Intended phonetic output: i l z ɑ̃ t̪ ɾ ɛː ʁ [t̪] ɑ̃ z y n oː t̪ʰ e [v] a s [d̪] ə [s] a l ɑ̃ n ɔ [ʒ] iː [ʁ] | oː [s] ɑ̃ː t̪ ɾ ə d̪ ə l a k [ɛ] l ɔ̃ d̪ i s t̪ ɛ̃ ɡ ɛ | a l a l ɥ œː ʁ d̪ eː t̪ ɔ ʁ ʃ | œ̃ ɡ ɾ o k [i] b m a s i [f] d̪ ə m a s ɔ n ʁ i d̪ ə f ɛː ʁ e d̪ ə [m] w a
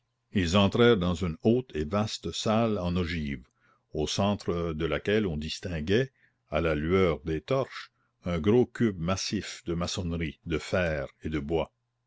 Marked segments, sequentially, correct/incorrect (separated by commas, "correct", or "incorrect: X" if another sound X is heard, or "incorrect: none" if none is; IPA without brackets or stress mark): incorrect: d̪, correct, incorrect: t̪, correct, correct, incorrect: v, correct, correct, incorrect: y, correct, incorrect: b